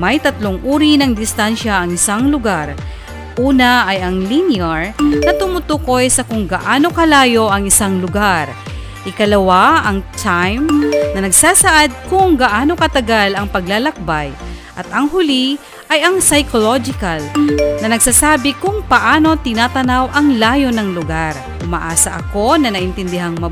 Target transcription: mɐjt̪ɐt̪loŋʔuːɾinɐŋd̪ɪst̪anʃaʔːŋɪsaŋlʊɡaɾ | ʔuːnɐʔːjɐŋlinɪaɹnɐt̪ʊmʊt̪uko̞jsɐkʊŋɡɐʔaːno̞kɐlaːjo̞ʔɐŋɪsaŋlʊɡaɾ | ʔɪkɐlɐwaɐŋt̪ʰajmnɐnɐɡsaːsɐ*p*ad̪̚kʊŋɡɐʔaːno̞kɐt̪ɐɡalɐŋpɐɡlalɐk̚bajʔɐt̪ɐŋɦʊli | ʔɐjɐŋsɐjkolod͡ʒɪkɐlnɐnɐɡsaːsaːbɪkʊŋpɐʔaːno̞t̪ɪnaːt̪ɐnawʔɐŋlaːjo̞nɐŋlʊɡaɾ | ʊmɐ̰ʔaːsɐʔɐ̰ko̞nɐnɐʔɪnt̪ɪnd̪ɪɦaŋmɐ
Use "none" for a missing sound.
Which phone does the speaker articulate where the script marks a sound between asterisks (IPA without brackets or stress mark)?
ʔ